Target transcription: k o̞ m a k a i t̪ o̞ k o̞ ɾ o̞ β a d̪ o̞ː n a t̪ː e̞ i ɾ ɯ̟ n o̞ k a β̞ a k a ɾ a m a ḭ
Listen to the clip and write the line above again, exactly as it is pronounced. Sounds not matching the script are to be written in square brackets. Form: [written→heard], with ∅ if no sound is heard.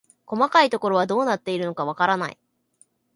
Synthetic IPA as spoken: k o̞ m a k a i t̪ o̞ k o̞ ɾ o̞ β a d̪ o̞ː n a t̪ː e̞ i ɾ ɯ̟ n o̞ k a β̞ a k a ɾ a [m→n] a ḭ